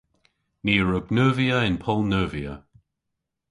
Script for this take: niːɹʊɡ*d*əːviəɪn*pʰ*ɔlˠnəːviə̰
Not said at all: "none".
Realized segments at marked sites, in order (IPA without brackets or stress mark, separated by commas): n, pʰ